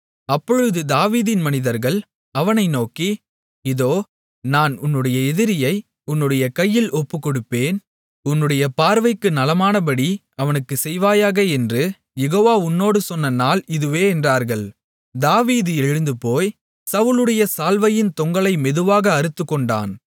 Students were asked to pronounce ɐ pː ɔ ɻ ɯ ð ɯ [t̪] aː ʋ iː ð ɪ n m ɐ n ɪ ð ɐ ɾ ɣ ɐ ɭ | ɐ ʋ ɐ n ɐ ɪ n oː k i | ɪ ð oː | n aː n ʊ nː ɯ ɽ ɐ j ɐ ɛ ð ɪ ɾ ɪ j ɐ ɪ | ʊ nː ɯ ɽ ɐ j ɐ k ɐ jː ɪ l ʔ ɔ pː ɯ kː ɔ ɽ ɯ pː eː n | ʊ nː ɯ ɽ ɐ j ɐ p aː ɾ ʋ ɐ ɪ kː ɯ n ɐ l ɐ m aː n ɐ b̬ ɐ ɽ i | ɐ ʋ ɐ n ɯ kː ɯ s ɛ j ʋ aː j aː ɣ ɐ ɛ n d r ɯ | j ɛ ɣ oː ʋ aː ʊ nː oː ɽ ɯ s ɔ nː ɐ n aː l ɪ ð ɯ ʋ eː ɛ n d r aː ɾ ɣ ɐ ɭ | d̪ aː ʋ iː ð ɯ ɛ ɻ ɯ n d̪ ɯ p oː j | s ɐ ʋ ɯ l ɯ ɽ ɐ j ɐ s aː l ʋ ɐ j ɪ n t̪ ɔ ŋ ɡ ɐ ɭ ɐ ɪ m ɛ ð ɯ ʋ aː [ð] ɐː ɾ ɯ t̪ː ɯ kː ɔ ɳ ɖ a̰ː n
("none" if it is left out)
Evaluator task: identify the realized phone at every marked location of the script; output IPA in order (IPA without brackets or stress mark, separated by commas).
d̪, ɣ